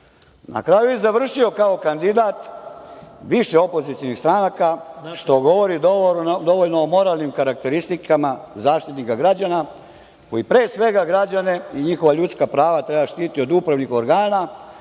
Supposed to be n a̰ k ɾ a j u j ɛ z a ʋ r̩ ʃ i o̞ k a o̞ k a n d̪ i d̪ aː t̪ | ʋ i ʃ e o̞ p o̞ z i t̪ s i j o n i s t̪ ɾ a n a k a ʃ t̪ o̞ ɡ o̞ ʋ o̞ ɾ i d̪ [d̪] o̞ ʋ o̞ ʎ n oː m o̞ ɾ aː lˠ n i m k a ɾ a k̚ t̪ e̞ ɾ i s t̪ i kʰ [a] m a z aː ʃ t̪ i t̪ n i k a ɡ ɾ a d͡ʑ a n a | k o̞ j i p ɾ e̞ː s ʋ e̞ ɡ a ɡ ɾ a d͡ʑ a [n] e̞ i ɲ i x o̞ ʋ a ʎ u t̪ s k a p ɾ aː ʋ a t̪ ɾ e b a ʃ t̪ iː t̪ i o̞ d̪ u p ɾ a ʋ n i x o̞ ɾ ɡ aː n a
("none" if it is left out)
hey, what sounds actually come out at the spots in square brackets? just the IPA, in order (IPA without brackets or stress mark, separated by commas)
d̪, a, n